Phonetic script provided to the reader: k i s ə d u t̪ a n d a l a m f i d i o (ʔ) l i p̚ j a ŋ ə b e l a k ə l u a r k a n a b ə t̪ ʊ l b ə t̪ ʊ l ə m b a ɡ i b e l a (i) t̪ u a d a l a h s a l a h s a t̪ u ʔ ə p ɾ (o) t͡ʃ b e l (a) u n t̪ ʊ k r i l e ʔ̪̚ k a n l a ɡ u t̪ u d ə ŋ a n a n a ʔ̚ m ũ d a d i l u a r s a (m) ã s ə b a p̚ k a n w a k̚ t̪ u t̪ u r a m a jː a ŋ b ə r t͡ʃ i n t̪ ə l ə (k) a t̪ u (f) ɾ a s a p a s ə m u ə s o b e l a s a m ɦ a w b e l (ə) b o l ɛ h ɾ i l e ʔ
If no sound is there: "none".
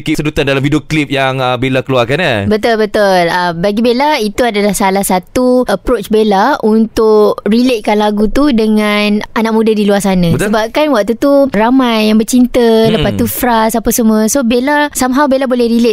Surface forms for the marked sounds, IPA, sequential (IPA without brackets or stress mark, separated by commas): k, i, o, a, n, p, f, a